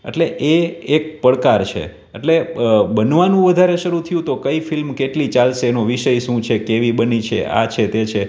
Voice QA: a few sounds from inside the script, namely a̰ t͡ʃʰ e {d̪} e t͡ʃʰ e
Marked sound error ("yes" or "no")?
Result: yes